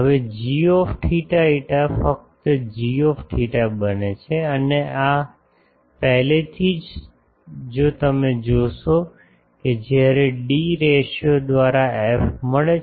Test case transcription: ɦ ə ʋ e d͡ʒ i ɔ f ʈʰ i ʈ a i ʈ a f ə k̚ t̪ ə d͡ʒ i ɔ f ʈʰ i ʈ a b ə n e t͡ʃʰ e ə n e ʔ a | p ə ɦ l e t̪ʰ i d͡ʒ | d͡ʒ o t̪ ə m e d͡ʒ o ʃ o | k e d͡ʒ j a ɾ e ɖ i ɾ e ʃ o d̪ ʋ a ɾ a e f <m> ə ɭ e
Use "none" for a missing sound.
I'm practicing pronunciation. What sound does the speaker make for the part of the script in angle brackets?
m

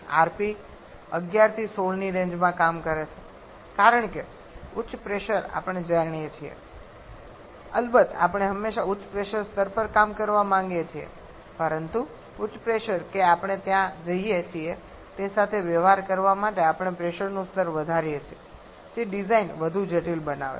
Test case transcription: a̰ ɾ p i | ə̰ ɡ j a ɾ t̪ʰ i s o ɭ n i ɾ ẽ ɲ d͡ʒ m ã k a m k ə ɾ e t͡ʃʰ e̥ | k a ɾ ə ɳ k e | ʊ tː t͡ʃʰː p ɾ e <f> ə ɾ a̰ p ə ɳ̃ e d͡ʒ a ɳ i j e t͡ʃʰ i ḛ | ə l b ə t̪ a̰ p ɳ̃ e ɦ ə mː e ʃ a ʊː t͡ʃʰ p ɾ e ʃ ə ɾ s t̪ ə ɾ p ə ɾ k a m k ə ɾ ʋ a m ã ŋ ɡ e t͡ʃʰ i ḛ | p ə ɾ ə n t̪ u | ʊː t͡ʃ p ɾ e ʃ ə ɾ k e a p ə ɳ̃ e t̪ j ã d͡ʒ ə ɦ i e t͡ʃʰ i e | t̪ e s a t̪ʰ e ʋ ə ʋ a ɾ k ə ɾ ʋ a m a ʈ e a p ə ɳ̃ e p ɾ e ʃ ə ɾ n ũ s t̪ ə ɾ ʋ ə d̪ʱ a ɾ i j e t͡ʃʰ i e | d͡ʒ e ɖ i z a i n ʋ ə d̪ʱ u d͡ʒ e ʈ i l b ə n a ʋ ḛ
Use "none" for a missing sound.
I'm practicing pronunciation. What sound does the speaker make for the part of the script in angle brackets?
ʃ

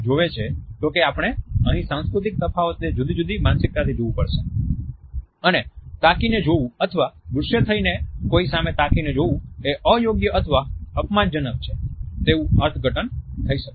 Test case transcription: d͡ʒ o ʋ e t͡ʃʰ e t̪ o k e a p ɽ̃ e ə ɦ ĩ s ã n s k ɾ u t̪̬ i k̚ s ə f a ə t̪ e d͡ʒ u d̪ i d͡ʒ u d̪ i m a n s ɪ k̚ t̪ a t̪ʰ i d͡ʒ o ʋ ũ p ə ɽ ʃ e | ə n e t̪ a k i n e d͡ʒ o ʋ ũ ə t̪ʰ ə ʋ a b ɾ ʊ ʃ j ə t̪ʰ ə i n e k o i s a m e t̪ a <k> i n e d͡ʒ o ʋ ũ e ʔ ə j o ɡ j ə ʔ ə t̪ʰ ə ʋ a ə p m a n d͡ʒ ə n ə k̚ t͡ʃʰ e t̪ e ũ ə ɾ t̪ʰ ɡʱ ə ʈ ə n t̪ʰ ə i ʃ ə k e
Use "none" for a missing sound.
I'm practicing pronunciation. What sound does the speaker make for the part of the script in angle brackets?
k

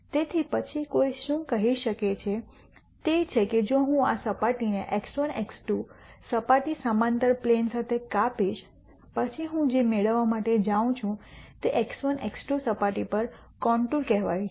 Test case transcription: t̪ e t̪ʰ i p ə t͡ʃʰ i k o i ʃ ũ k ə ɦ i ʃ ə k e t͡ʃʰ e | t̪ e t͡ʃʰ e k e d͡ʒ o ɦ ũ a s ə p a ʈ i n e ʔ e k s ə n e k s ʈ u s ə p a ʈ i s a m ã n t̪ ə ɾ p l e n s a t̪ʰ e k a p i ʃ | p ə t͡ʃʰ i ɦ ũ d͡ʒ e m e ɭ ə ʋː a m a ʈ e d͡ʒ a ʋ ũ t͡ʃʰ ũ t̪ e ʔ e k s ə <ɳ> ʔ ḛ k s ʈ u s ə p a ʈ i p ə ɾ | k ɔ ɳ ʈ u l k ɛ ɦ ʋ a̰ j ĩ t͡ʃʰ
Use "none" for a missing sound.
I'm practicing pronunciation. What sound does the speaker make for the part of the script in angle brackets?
n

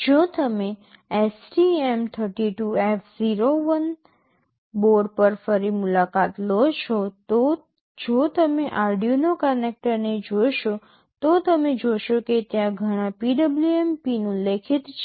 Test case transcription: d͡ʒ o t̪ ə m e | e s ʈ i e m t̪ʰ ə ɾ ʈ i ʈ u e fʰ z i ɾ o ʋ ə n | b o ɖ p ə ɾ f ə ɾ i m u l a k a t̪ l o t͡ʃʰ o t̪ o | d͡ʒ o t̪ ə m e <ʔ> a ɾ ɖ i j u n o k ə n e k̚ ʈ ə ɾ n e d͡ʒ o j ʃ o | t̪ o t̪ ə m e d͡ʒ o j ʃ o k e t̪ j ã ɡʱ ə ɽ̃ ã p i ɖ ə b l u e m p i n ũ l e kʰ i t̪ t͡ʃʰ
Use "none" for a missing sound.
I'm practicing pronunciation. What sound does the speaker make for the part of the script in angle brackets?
ʔ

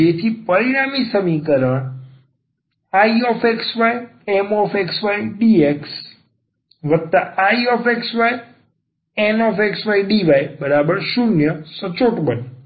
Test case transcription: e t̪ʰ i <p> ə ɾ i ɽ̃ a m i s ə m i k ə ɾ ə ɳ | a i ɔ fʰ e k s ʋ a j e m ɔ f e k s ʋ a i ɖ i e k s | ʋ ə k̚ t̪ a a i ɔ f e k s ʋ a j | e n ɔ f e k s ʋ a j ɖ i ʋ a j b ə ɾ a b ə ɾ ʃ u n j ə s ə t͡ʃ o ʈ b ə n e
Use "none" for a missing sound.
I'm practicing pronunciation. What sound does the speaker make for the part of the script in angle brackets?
p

